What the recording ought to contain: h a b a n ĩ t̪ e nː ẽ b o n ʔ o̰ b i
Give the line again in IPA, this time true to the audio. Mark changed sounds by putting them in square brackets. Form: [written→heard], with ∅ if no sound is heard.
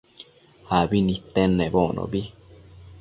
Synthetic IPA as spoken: h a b [a→i] n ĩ t̪ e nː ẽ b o n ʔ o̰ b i

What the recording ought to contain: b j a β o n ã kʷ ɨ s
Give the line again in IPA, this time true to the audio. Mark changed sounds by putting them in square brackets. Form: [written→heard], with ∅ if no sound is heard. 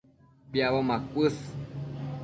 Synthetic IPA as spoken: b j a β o [n→m] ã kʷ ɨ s

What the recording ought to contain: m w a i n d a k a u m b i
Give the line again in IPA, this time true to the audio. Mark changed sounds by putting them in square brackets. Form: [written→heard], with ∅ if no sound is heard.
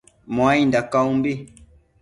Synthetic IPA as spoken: m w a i n d a k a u m b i

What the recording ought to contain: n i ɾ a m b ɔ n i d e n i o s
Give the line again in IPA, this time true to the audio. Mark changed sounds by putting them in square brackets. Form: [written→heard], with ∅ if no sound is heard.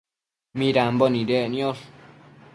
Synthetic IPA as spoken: [n→m] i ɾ a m b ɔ n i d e n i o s

